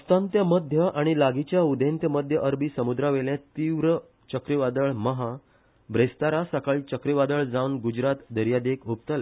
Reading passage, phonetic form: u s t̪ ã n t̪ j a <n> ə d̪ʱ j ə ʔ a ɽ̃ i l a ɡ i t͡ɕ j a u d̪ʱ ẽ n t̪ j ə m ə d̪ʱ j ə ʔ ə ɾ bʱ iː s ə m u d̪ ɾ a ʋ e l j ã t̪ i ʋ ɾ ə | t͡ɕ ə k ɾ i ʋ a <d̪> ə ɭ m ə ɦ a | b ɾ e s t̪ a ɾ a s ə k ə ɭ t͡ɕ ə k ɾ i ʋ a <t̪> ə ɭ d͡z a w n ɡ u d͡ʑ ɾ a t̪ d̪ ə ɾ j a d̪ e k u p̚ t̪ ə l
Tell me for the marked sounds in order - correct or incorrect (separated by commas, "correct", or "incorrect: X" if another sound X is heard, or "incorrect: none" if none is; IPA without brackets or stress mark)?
incorrect: m, correct, incorrect: d̪